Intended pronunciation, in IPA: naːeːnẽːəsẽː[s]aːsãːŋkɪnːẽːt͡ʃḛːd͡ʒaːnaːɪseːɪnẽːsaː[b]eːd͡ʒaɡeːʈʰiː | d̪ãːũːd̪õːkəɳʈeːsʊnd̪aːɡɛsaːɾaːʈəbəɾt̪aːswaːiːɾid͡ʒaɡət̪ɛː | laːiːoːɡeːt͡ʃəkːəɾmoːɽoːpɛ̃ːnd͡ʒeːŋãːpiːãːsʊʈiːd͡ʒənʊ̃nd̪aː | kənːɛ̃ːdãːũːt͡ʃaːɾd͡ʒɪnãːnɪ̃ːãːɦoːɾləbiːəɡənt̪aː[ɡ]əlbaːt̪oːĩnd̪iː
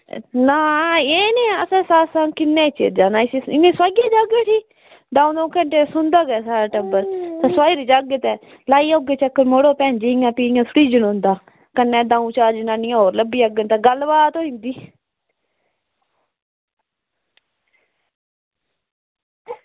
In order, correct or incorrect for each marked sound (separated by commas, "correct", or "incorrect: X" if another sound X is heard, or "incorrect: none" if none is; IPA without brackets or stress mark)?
correct, incorrect: ɡ, correct